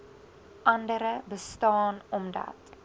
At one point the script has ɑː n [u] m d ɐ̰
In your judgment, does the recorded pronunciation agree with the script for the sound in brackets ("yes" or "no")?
no